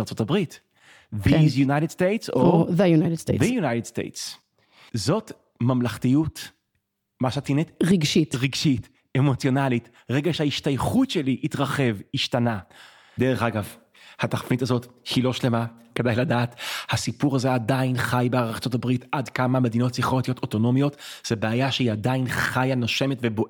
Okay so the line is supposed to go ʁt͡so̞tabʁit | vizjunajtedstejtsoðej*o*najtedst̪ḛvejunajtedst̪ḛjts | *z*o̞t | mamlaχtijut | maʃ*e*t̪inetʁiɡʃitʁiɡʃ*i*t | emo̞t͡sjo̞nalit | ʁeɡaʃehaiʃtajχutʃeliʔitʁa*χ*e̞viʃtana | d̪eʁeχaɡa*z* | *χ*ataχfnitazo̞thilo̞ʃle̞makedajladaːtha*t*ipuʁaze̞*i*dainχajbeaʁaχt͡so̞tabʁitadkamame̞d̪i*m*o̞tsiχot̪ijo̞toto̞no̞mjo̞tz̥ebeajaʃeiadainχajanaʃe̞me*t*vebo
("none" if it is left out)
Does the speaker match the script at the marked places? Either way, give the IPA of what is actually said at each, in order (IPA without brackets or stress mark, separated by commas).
u, z, a, i, χ, v, h, s, a, n, t